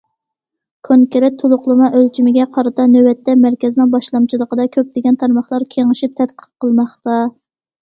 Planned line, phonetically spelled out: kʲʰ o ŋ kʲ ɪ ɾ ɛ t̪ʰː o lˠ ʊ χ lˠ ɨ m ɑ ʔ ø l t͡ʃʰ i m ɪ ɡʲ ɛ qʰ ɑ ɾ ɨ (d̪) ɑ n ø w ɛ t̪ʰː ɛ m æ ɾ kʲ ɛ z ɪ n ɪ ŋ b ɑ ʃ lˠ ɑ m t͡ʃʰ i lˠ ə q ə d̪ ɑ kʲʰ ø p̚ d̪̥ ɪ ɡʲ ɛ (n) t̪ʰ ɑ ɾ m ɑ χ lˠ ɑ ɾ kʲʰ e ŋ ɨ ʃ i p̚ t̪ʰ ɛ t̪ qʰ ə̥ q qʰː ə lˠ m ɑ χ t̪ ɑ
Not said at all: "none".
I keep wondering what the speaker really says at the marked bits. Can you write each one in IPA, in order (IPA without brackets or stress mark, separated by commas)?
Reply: t̪, n